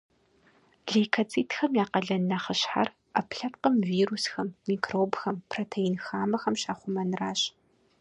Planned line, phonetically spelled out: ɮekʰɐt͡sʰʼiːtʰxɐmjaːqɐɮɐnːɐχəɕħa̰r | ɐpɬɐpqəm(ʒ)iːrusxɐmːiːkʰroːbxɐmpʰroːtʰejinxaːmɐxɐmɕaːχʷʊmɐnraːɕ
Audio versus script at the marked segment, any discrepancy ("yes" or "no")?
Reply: yes